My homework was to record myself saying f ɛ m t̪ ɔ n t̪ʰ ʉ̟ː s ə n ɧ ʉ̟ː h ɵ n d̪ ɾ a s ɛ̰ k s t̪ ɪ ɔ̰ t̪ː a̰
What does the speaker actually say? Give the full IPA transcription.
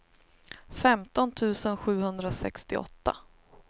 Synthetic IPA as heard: f ɛ m t̪ ɔ n t̪ʰ ʉ̟ː s ə n ɧ ʉ̟ː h ɵ n d̪ ɾ a s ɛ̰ k s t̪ ɪ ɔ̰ t̪ː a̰